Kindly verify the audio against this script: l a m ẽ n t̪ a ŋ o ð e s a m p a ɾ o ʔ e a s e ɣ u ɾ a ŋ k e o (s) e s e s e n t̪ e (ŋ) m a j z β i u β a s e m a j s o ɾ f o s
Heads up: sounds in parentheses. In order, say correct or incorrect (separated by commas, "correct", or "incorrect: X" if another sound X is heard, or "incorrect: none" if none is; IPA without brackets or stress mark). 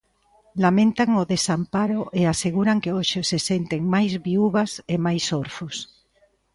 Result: incorrect: ʃ, correct